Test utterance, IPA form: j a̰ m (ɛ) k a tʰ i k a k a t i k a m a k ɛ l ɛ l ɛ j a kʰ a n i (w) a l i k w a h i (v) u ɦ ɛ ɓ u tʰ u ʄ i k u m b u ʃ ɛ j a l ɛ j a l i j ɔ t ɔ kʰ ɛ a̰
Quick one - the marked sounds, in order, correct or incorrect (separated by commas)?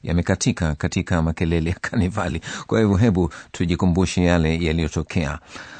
correct, incorrect, correct